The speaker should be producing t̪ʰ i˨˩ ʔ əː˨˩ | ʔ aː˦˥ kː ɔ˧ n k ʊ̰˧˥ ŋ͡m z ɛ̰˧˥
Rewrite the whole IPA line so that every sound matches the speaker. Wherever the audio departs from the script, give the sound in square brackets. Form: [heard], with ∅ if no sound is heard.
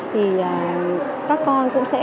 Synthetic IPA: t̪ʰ i˨˩ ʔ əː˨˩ | [k] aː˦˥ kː ɔ˧ n k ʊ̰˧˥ ŋ͡m [s] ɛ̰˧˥